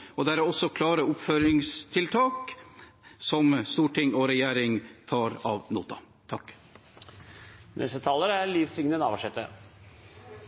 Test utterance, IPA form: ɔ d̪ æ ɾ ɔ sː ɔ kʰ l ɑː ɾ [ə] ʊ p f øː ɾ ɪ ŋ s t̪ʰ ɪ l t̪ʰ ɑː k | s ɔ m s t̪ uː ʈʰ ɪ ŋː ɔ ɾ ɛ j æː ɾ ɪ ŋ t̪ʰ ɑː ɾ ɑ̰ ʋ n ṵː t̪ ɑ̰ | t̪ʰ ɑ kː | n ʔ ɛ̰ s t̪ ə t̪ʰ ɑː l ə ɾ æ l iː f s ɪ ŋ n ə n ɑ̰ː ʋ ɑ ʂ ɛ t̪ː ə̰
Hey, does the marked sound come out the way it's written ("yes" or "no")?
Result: yes